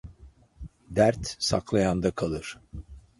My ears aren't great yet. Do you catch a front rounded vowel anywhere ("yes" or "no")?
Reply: no